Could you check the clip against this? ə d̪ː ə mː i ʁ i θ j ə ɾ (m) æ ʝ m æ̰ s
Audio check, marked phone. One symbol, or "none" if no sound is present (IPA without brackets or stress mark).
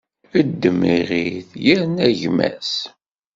n